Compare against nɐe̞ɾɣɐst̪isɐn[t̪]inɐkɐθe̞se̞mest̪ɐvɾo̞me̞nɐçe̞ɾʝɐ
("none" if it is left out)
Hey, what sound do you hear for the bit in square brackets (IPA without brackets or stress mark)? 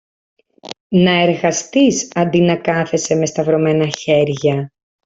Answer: d̪